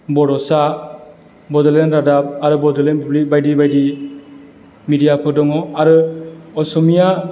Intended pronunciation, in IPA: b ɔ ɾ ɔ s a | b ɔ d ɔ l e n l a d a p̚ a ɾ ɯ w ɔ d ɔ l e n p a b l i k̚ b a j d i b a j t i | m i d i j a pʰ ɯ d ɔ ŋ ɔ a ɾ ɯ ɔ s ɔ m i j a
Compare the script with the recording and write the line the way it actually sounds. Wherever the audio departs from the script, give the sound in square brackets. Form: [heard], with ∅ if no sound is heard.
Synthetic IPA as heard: b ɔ ɾ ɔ s a | b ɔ d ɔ l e n [ɾ] a d a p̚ a ɾ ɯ [b] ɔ d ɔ l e n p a b l i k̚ b a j d i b a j [d] i | m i d i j a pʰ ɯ d ɔ ŋ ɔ a ɾ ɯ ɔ s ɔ m i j a